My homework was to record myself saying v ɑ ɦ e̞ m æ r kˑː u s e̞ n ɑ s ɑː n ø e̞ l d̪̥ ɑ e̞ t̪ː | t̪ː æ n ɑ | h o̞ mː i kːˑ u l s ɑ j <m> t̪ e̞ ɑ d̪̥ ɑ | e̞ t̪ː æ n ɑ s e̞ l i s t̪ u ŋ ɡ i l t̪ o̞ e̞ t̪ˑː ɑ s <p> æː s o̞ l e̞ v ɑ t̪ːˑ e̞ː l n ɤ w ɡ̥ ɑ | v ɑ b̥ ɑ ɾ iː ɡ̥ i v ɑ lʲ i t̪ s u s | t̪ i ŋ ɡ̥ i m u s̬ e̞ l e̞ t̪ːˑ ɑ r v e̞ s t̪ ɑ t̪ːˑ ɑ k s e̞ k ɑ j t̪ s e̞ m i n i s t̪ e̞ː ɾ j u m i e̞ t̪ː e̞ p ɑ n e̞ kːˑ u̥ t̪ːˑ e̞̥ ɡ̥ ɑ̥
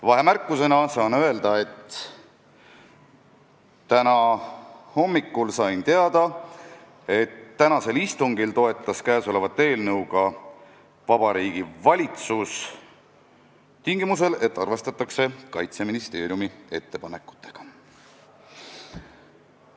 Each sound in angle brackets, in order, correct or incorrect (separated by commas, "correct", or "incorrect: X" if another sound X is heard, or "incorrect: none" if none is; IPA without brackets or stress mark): incorrect: n, incorrect: k